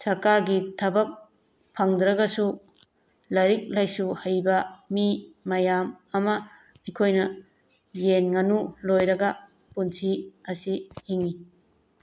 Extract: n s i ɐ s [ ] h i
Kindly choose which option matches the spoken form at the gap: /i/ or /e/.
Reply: i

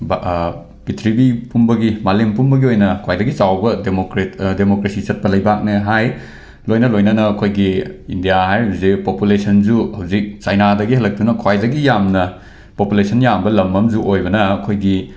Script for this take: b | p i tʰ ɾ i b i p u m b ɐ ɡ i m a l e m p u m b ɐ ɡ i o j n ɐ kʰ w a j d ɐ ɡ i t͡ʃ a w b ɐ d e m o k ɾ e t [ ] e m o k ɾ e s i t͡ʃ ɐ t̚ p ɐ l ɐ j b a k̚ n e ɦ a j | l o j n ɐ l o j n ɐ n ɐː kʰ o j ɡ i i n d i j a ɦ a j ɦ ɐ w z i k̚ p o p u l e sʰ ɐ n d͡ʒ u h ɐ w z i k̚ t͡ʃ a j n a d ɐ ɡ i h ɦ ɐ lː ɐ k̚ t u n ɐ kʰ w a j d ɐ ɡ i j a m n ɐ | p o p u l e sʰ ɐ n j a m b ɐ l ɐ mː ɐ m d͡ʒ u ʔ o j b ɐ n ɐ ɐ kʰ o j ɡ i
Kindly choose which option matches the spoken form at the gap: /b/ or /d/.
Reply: d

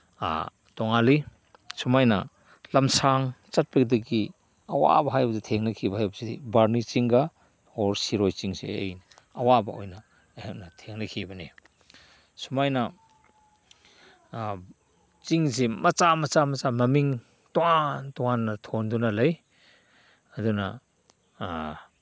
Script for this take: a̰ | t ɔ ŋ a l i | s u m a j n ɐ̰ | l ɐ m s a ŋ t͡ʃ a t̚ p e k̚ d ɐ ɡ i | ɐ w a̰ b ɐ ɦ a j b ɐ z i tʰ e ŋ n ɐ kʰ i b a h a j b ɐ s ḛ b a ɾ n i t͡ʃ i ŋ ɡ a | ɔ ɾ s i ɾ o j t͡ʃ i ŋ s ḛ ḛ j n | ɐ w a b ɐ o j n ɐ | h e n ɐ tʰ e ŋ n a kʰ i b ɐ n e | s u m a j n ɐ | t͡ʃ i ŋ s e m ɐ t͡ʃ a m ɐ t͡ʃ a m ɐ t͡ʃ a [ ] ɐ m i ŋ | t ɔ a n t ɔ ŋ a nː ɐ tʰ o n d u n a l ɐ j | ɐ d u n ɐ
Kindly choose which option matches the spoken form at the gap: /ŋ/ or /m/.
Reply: m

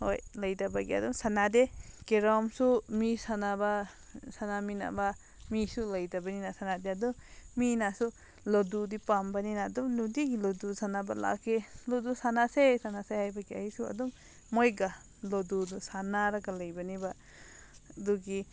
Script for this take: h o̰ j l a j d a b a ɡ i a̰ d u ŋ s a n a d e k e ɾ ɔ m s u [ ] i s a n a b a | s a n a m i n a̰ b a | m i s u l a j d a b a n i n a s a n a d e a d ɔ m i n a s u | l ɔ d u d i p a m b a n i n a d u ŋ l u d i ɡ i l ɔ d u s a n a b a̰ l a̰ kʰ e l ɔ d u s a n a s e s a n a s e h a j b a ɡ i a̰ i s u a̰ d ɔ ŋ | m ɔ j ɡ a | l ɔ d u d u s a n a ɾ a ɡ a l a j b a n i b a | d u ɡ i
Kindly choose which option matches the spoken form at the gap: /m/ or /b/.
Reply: m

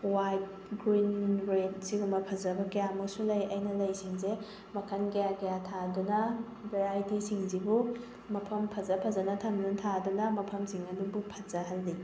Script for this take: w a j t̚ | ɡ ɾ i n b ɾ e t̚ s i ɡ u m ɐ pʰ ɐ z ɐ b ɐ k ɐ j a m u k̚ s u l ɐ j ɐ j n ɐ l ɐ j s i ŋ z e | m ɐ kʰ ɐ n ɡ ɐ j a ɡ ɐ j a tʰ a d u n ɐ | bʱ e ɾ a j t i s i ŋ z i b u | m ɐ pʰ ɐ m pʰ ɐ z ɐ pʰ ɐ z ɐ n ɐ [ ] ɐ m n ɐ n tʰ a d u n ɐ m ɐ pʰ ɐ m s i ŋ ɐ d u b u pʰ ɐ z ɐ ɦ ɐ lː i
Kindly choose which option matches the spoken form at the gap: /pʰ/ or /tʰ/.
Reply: tʰ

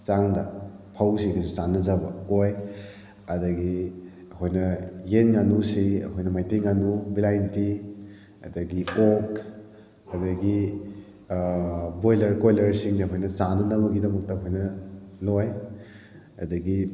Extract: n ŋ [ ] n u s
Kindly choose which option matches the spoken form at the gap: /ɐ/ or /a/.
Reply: a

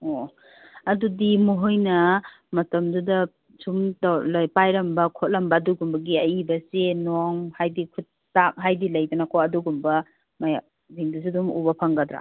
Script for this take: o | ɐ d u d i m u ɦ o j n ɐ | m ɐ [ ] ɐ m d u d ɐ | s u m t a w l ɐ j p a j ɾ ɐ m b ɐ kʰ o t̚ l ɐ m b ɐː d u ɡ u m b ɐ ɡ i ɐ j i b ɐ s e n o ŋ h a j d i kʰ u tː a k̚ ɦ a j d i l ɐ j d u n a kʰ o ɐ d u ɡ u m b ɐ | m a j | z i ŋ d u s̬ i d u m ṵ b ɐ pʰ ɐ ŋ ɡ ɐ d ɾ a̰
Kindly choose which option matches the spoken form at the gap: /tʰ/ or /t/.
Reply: t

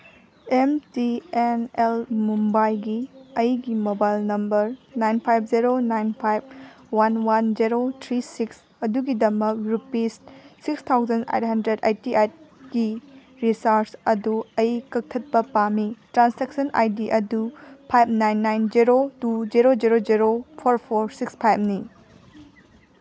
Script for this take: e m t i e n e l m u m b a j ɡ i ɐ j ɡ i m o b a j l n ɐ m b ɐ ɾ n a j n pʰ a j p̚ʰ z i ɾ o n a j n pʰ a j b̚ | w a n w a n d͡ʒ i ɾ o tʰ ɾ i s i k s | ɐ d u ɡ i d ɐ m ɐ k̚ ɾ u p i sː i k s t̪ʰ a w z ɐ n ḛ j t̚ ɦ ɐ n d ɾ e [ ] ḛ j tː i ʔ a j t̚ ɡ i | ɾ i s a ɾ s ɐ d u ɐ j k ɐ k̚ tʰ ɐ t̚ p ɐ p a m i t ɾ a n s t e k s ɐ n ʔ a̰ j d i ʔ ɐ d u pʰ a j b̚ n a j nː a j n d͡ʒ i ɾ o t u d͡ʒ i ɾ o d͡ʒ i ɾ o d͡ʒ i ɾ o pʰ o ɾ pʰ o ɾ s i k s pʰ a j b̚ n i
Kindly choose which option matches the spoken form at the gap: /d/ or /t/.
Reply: d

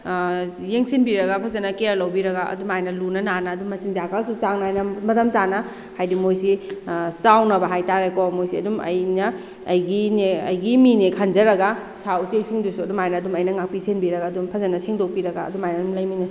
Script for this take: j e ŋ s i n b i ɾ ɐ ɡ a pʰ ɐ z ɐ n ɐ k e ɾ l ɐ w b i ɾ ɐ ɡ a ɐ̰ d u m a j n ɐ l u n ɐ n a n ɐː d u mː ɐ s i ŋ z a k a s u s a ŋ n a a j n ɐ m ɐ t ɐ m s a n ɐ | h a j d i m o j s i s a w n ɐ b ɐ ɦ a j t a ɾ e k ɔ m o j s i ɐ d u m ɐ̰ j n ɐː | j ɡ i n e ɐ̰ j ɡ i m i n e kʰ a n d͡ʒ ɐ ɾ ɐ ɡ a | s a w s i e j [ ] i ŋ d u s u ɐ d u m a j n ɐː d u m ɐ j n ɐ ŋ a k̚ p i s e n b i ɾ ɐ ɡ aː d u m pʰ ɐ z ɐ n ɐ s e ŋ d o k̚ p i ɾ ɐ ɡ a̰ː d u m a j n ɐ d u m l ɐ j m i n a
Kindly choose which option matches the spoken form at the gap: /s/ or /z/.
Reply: s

